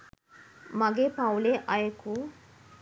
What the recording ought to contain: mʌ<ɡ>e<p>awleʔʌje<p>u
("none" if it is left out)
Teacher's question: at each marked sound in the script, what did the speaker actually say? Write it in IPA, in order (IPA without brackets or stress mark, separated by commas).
ɡ, p, k